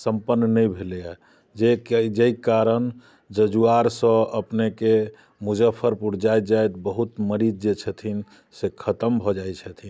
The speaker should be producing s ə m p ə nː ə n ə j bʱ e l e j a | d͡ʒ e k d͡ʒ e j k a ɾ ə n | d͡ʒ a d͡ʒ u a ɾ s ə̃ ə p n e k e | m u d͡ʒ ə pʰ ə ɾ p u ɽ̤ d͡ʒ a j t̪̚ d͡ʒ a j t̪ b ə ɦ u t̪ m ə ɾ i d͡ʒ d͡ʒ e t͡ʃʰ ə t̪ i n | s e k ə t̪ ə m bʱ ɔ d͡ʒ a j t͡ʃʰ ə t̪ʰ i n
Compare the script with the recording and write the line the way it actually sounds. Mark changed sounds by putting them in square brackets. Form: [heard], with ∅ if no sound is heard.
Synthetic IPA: s ə m p ə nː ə n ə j bʱ e l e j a | d͡ʒ e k d͡ʒ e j k a ɾ ə n | d͡ʒ [ə] d͡ʒ u a ɾ s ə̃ ə p n e k e | m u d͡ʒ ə pʰ ə ɾ p u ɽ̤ d͡ʒ a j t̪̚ d͡ʒ a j t̪ b ə ɦ u t̪ m ə ɾ i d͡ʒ d͡ʒ e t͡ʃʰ ə [t̪ʰ] i n | s e [kʰ] ə t̪ ə m bʱ ɔ d͡ʒ a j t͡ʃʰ ə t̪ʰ i n